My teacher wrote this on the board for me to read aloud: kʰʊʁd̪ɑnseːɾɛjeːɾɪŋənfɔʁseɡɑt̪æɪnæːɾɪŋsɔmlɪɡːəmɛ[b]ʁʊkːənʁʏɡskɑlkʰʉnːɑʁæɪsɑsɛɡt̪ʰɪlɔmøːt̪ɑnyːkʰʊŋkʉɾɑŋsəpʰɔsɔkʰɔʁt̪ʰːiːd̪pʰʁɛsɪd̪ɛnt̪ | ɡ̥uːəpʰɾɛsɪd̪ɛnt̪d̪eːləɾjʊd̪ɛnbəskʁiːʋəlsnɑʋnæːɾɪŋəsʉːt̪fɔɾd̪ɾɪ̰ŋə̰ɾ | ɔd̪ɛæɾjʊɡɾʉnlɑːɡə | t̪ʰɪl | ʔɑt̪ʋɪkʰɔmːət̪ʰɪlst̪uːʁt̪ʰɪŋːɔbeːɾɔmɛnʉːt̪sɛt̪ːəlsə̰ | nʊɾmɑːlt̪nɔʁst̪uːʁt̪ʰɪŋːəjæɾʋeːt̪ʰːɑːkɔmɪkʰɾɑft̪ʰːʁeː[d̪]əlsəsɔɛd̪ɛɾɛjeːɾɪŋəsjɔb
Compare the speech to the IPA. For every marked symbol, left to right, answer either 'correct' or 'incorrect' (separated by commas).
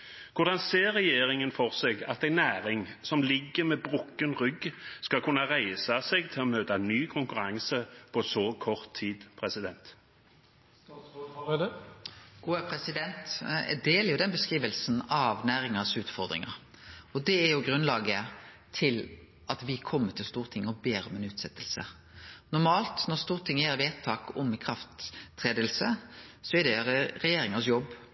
correct, correct